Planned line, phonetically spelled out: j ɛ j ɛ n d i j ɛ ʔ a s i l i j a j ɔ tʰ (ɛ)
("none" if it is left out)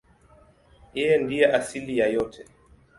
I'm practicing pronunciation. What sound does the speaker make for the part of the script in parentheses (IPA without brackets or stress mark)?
ɛ